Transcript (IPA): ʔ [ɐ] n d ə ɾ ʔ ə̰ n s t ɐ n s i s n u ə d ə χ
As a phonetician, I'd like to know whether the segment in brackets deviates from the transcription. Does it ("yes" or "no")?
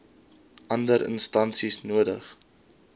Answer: no